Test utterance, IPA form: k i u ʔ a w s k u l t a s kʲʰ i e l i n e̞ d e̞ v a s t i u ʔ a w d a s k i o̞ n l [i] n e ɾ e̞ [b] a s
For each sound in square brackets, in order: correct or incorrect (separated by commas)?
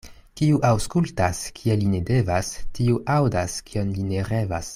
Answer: correct, incorrect